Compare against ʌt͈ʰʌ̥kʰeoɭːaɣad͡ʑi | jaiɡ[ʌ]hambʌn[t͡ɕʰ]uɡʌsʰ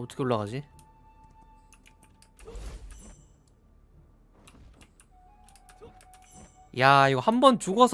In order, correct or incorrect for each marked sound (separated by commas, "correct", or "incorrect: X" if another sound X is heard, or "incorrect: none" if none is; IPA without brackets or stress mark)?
correct, incorrect: t͡ɕ